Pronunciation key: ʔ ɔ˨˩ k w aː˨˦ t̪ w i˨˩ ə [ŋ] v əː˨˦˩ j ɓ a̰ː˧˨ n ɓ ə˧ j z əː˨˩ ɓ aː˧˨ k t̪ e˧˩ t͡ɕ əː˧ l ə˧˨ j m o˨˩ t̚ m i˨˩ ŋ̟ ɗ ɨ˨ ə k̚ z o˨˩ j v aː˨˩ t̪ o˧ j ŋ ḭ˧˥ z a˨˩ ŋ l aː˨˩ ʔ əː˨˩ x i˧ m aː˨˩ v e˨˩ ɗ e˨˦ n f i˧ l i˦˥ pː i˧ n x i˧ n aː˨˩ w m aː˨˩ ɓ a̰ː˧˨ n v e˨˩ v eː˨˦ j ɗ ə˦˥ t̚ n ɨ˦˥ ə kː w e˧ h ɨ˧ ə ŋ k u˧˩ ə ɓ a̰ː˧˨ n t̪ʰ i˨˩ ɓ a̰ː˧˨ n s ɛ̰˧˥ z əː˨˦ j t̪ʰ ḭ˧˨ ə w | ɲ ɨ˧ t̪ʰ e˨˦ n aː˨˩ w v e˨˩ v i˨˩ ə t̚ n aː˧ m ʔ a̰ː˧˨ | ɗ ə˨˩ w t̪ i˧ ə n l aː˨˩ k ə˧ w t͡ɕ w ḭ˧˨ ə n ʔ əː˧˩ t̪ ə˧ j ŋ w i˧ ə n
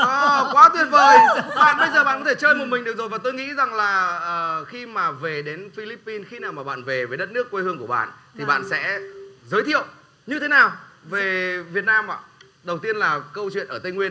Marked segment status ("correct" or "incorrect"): incorrect